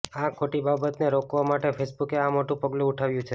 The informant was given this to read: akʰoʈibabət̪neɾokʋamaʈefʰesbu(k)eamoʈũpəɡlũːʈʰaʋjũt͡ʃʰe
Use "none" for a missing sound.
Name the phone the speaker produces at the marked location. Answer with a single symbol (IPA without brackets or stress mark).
k